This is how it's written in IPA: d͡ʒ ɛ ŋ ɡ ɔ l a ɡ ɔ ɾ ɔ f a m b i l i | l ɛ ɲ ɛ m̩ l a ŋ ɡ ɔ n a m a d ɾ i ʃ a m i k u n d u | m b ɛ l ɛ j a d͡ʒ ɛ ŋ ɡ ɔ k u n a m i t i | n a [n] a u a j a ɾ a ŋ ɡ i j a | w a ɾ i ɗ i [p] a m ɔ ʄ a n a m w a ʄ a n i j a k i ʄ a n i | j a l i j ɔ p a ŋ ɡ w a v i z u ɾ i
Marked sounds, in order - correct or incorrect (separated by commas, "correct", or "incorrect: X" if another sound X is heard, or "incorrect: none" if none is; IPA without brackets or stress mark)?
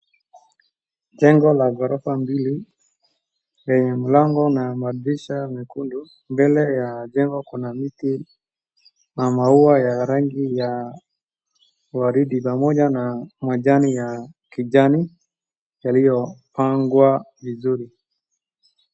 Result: incorrect: m, correct